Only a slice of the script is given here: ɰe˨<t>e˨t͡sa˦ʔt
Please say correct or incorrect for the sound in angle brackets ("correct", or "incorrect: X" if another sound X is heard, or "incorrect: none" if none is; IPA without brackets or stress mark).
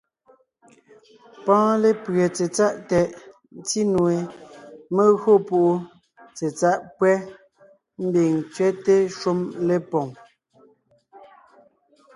incorrect: t͡s